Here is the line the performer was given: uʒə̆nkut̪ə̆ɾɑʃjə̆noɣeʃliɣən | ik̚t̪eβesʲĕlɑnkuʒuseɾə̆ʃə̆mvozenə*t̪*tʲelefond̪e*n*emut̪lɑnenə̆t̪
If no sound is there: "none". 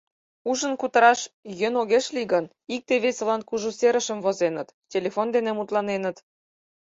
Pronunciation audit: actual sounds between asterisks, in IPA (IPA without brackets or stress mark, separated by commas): t̪, n